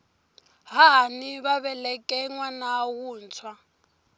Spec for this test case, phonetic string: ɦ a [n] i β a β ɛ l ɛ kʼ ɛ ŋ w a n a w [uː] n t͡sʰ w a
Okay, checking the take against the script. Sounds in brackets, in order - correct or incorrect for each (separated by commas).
correct, correct